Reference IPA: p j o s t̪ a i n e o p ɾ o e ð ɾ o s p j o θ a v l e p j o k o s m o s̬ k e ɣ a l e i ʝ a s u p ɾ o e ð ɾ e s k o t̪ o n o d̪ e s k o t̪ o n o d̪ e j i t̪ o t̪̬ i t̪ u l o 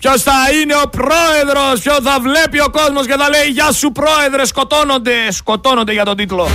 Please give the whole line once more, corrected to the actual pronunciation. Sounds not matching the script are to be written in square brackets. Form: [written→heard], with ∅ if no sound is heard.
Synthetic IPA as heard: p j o s t̪ a i n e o p ɾ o e ð ɾ o s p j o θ a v l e p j o k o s m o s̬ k e [ɣ→ð] a l e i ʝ a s u p ɾ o e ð ɾ e s k o t̪ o n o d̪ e s k o t̪ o n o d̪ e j [i→a] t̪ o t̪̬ i t̪ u l o